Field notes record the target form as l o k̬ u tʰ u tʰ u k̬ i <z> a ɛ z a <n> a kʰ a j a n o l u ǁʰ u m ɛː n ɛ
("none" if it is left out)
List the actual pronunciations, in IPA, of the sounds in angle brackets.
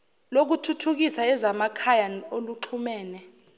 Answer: s, m

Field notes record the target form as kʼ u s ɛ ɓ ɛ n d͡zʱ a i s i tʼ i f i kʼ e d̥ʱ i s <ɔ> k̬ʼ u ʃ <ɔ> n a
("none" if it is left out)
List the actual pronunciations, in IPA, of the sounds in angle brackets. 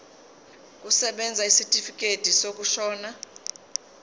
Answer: o, ɔː

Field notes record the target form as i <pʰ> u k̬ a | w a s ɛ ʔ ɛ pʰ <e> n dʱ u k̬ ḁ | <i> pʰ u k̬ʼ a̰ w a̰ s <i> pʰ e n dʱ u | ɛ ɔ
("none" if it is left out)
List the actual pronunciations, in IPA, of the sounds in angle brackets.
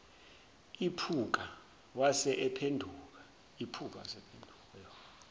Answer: pʰ, e, i, ɛ

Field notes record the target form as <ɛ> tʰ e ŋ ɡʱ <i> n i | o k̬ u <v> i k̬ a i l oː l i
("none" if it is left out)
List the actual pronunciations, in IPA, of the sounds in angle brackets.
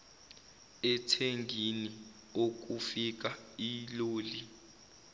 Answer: ɛ, i, f

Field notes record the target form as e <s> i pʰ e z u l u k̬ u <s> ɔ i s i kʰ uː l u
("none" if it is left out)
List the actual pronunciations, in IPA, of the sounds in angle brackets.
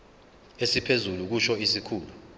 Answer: s, ʃ

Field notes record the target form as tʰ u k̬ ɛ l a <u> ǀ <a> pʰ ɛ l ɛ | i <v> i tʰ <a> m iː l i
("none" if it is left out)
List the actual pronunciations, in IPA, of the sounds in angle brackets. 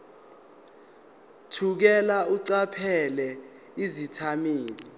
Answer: u, a, z, a

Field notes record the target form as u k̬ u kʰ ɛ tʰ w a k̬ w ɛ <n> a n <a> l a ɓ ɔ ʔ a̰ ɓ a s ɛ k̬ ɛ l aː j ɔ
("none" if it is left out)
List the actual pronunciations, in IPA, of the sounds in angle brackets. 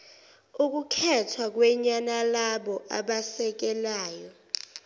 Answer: ɲ, a

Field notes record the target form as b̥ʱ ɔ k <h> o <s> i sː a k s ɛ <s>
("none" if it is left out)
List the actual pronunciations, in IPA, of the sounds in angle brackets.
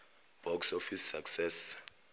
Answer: s, f, s

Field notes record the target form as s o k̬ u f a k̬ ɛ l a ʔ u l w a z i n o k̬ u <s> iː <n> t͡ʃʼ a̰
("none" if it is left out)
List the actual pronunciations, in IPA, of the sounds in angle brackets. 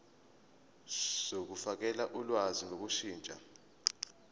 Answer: ʃ, n

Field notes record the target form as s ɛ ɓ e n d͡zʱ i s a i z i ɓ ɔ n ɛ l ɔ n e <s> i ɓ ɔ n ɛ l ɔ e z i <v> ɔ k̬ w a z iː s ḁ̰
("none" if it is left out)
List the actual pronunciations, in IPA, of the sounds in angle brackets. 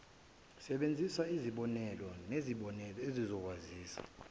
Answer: z, z

